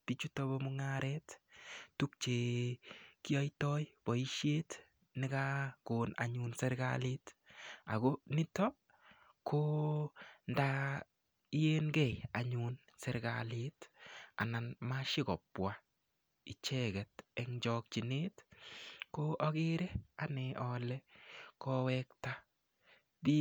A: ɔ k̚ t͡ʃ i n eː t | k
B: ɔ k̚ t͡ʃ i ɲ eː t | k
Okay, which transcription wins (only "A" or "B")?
A